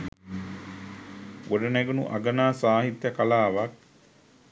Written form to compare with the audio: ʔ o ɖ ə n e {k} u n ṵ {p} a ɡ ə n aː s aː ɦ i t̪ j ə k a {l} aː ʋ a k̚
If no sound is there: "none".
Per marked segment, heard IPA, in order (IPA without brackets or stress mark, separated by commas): ɡ, ʔ, l